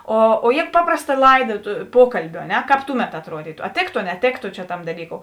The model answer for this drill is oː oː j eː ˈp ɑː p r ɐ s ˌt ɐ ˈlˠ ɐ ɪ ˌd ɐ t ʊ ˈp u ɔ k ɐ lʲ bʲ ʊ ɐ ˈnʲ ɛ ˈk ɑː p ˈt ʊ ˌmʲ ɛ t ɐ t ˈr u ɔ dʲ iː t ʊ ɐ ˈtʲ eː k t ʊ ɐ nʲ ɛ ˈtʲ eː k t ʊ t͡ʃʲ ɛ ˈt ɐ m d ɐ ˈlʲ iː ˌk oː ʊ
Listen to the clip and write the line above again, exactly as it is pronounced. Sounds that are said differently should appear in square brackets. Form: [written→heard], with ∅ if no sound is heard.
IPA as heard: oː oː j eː ˈp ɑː p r ɐ s ˌt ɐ ˈlˠ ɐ ɪ ˌd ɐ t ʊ ˈp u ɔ k ɐ lʲ bʲ ʊ ɐ ˈnʲ ɛ ˈk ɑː p ˈt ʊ ˌmʲ ɛ t ɐ t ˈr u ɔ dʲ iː t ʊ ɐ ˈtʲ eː k t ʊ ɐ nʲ ɛ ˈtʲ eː k t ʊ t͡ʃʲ ɛ ˈt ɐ m d ɐ ˈlʲ iː ˌk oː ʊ